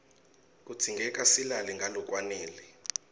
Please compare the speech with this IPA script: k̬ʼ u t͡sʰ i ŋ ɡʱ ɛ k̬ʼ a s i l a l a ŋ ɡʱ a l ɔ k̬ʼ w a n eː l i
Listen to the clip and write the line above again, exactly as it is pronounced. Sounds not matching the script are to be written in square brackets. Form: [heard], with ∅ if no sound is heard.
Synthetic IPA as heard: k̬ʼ u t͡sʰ i ŋ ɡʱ ɛ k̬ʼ a s i l a l [i] ŋ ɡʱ a l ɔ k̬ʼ w a n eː l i